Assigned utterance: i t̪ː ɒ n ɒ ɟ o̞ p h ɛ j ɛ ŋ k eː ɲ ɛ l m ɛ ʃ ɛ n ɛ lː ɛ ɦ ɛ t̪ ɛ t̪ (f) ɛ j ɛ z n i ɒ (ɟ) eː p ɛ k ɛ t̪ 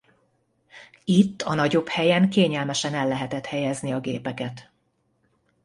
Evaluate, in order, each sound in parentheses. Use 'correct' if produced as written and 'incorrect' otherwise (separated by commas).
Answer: incorrect, incorrect